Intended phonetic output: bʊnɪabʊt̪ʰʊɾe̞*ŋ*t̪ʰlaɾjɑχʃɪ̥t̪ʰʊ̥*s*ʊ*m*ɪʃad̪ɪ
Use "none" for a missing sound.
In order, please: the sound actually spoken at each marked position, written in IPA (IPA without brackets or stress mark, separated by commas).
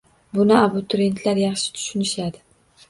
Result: n, ʃ, n